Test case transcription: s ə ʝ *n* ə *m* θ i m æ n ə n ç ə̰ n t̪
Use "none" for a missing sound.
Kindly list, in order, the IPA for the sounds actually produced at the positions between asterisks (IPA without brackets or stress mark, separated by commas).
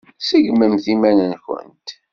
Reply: m, m